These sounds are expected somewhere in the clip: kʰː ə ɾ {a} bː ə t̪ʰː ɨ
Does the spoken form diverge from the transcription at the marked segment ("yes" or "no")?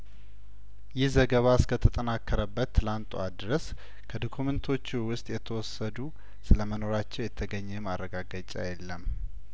yes